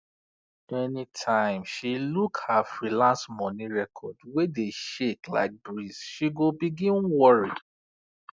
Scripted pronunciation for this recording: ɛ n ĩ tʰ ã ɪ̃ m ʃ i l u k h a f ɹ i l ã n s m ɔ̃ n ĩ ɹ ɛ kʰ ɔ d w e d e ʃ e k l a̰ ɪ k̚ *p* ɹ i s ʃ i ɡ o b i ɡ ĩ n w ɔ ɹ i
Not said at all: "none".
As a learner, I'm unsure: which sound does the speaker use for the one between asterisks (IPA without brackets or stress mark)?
b